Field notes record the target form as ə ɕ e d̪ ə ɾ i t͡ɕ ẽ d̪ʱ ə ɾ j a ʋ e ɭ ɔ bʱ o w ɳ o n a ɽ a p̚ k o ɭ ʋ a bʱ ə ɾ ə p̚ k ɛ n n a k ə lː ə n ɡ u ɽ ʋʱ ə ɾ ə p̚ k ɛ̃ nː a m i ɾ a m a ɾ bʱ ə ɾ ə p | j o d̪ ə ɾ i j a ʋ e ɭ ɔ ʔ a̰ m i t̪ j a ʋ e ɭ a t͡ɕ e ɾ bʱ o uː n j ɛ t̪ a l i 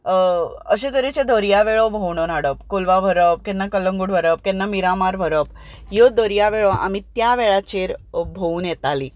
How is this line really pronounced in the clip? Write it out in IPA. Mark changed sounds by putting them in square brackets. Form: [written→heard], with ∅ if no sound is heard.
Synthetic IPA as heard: ə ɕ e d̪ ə ɾ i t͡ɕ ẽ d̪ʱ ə ɾ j a ʋ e ɭ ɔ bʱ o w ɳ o n a ɽ [a→ə] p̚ k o [ɭ→l] ʋ a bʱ ə ɾ ə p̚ k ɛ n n a k ə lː ə [n→ŋ] ɡ u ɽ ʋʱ ə ɾ ə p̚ k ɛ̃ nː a m i ɾ a m a ɾ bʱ ə ɾ ə p | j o d̪ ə ɾ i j a ʋ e ɭ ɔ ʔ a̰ m i t̪ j a ʋ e ɭ a t͡ɕ e ɾ bʱ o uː n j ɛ t̪ a l i